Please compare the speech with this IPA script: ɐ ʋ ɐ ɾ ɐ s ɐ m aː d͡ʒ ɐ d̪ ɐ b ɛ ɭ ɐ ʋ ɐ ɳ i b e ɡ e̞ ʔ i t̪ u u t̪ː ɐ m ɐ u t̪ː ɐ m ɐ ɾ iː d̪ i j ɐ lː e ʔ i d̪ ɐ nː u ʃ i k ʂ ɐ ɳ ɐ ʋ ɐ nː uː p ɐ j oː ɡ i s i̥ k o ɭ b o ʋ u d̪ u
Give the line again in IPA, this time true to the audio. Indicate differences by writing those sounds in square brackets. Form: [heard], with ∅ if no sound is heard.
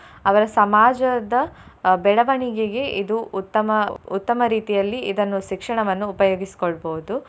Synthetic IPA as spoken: ɐ ʋ ɐ ɾ ɐ s ɐ m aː d͡ʒ ɐ d̪ ɐ b ɛ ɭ ɐ ʋ ɐ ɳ i [ɡ] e ɡ e̞ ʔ i [d̪] u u t̪ː ɐ m ɐ u t̪ː ɐ m ɐ ɾ iː [t̪] i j ɐ lː [i] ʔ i d̪ ɐ nː u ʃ i k ʂ ɐ ɳ ɐ ʋ ɐ nː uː p ɐ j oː ɡ i s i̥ k o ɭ b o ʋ u d̪ u